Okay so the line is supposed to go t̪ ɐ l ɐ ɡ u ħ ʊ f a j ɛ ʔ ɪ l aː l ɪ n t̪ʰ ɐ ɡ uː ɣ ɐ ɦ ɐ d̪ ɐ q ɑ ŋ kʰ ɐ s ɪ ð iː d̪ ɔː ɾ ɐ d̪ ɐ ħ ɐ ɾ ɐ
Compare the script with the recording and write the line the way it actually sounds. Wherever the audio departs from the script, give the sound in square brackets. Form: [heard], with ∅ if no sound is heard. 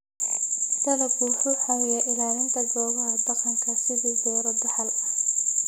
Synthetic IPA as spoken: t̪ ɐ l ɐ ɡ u ħ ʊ [ħ] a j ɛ ʔ ɪ l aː l ɪ n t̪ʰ ɐ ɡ [ɔː] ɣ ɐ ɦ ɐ d̪ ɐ q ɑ ŋ kʰ ɐ s ɪ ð iː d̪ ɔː ɾ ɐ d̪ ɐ ħ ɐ [l] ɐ